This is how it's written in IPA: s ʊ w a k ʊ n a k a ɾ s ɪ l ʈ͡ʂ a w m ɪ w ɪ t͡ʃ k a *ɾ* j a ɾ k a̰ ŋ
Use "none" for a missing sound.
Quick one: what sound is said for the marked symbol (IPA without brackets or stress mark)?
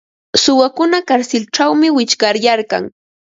ɾ